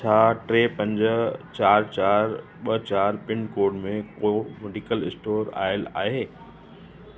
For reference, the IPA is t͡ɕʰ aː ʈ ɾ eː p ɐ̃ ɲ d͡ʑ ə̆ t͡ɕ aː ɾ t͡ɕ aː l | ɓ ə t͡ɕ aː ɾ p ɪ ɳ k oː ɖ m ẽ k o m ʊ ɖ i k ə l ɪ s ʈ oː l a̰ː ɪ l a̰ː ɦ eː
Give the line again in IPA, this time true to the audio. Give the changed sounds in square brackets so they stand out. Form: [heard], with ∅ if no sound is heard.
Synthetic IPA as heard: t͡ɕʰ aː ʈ ɾ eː p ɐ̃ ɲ d͡ʑ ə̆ t͡ɕ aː ɾ t͡ɕ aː [ɾ] | ɓ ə t͡ɕ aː ɾ p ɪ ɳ k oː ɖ m ẽ k o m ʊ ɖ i k ə l ɪ s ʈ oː [ɾ] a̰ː ɪ l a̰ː ɦ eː